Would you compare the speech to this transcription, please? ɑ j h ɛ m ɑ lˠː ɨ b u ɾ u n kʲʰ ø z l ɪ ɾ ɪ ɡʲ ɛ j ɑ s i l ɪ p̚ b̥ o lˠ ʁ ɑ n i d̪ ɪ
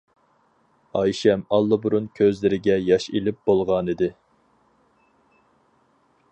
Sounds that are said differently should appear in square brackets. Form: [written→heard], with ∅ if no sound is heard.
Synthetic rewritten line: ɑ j [h→ʃ] ɛ m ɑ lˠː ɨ b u ɾ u n kʲʰ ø z l ɪ ɾ ɪ ɡʲ ɛ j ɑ [s→ʃ] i l ɪ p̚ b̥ o lˠ ʁ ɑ n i d̪ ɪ